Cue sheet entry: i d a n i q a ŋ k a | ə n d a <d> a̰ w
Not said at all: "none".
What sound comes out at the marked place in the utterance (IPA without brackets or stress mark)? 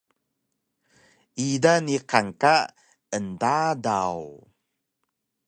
d